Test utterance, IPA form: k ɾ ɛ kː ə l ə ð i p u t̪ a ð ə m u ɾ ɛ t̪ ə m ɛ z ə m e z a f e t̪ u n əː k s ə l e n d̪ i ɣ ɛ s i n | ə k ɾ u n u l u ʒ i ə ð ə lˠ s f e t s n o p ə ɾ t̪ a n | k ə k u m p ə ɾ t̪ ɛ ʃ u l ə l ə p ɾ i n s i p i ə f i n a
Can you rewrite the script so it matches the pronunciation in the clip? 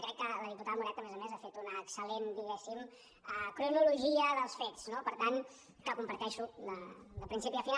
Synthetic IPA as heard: k ɾ ɛ kː ə l ə ð i p u t̪ a ð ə m u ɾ ɛ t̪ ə m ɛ z ə m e z a f e t̪ u n əː k s ə l e n d̪ i ɣ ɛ s i m | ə k ɾ u n u l u ʒ i ə ð ə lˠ s f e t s n o p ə ɾ t̪ a n | k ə k u m p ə ɾ t̪ ɛ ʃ u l ə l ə p ɾ i n s i p i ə f i n a